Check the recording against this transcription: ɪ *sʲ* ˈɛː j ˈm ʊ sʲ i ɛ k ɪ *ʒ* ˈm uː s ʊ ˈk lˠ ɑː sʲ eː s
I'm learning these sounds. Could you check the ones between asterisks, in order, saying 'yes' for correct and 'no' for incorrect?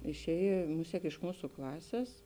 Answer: no, no

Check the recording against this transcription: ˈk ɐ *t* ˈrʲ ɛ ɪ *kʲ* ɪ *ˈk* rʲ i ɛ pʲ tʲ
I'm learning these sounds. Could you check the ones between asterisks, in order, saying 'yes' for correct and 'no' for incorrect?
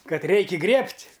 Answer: yes, yes, no

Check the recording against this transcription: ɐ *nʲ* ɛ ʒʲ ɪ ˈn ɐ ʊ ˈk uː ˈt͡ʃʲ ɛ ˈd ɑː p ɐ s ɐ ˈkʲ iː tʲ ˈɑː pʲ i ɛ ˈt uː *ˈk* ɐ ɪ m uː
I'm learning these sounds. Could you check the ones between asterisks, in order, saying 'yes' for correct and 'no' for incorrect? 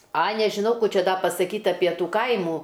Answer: yes, yes

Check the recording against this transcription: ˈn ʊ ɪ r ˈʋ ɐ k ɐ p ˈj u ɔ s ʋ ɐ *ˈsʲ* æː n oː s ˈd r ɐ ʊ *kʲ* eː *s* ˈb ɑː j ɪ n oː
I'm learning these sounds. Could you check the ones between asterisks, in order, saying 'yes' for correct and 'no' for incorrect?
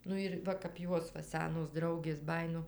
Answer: yes, no, yes

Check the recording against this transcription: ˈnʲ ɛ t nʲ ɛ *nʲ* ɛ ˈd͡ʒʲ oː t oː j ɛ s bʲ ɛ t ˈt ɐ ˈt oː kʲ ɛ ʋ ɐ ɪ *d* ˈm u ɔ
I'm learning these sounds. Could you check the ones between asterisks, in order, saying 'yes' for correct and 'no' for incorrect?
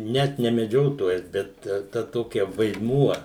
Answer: no, yes

